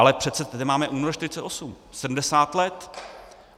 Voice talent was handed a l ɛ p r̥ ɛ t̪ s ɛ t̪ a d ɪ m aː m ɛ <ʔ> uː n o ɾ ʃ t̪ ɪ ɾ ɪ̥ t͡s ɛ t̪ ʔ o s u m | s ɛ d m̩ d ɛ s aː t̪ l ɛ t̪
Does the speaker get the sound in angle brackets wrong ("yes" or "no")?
no